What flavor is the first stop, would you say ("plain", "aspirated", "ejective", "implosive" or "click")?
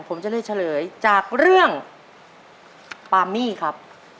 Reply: aspirated